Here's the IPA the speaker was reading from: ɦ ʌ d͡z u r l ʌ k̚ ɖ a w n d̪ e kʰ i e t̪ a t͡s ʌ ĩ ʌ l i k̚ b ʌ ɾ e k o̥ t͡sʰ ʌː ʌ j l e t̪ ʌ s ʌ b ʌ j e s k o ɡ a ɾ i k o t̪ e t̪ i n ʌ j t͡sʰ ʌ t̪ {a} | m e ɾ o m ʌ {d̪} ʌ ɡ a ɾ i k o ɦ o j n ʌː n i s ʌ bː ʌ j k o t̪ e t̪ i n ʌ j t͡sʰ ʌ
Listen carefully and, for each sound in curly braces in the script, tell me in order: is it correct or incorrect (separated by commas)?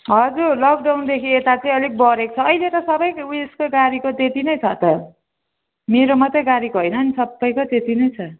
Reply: incorrect, incorrect